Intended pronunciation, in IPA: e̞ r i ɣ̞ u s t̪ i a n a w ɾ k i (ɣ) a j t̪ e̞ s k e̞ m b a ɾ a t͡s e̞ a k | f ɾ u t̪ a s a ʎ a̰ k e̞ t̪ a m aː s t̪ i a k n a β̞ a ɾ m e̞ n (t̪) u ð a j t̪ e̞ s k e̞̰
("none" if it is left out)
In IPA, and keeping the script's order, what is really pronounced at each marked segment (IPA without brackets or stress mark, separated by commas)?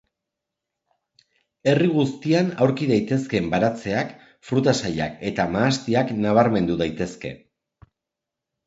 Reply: ð, d̪